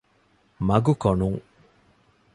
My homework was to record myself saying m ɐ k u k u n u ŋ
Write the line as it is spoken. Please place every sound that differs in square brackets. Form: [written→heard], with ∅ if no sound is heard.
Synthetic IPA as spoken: m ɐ [k→ɡ] u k [u→o] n u ŋ